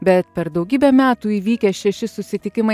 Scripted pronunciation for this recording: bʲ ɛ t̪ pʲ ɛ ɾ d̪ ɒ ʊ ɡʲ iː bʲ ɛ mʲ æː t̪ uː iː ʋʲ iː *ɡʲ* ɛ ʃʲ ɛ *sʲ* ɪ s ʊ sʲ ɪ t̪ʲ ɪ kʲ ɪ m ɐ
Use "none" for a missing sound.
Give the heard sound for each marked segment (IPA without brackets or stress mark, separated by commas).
kʲ, ʃʲ